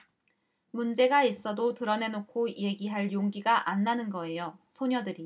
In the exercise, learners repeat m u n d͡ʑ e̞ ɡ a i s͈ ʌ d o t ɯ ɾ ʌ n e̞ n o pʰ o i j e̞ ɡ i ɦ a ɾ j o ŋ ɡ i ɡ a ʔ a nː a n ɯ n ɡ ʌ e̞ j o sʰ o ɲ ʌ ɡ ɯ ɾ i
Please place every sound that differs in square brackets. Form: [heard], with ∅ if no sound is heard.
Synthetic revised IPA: m u n d͡ʑ e̞ ɡ a i s͈ ʌ d o t ɯ ɾ ʌ n e̞ n o [kʰ] o i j e̞ ɡ i ɦ a [ɭ] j o ŋ ɡ i ɡ a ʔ a nː a n ɯ n ɡ ʌ e̞ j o sʰ o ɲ ʌ [d] ɯ ɾ i